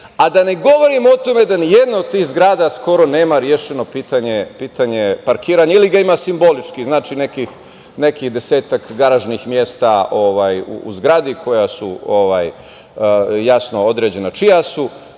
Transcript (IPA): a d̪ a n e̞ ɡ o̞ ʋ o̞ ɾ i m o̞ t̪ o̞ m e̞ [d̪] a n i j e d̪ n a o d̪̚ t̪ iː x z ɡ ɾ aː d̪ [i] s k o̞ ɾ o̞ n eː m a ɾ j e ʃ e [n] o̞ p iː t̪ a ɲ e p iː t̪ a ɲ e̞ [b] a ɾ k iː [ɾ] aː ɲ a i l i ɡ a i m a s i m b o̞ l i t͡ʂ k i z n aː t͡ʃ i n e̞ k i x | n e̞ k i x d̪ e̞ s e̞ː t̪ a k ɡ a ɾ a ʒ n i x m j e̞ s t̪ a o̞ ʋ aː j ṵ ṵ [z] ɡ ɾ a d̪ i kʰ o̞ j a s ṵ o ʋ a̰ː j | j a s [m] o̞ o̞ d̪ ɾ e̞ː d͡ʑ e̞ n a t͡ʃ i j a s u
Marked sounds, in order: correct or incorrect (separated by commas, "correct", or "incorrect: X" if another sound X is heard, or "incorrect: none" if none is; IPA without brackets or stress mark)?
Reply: correct, incorrect: a, correct, incorrect: p, correct, correct, incorrect: n